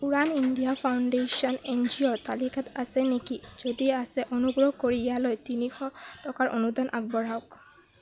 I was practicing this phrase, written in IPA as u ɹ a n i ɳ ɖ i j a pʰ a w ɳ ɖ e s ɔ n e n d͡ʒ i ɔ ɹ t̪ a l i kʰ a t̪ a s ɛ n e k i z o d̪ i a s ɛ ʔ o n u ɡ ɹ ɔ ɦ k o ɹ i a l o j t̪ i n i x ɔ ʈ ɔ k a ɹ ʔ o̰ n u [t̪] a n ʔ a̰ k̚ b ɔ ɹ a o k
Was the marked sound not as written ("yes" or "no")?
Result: yes